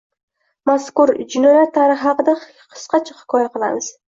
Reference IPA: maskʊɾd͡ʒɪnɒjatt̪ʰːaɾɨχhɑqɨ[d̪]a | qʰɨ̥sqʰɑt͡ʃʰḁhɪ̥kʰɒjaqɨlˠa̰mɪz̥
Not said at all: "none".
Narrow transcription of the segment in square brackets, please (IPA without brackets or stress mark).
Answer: d̪